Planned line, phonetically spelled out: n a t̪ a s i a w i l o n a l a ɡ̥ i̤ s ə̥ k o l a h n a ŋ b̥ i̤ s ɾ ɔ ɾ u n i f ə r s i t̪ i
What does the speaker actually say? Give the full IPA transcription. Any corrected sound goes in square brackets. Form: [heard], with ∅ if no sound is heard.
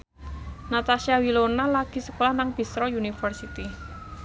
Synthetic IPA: n a t̪ a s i a w i l o n a l a ɡ̥ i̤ s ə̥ k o l a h n a ŋ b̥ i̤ s ɾ ɔ [∅] u n i f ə r s i t̪ i